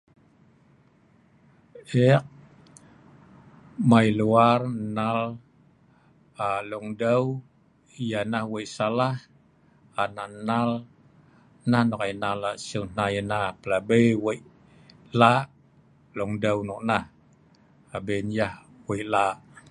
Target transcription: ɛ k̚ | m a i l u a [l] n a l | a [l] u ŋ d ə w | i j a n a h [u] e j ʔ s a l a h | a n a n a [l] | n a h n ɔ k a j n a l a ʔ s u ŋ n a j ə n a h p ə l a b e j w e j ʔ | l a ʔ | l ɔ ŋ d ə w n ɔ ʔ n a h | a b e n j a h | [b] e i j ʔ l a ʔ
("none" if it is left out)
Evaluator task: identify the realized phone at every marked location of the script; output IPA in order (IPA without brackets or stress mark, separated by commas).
r, l, w, l, w